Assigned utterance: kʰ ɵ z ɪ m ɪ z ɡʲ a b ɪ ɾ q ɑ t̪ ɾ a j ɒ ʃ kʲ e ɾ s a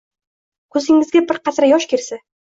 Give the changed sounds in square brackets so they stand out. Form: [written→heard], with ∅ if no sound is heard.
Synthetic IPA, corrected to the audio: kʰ ɵ z ɪ [m→ŋ] ɪ z ɡʲ a b ɪ ɾ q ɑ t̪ ɾ a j ɒ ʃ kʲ e ɾ s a